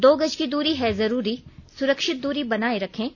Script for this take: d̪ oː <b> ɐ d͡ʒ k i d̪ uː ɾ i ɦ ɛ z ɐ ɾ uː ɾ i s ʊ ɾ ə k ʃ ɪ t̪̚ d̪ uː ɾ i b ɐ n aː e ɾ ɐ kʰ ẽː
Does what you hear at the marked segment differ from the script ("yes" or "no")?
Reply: yes